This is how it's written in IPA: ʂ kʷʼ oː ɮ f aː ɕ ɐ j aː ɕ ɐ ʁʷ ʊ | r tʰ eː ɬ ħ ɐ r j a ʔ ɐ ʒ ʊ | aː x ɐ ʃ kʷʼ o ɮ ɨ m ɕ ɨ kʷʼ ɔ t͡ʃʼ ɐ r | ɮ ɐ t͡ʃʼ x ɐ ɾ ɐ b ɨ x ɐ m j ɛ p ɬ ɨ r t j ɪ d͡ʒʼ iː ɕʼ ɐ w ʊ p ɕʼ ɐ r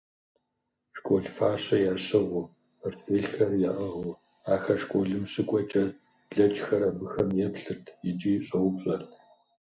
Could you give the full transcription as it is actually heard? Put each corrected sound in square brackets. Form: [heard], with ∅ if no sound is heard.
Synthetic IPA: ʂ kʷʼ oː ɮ f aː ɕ ɐ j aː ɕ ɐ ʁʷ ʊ | r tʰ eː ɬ [x] ɐ r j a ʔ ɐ [ʁ] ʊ | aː x ɐ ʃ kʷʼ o ɮ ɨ m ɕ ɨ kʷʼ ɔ t͡ʃʼ ɐ r | ɮ ɐ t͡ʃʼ x ɐ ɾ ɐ b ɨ x ɐ m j ɛ p ɬ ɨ r [tʰ] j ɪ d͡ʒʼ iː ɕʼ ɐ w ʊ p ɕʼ ɐ r